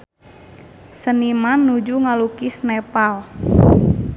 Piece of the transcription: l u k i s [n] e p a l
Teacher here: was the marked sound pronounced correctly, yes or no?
yes